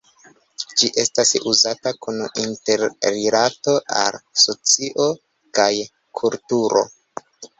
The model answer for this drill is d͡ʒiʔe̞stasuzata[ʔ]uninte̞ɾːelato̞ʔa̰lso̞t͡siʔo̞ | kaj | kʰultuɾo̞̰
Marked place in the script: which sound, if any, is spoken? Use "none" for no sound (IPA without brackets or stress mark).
k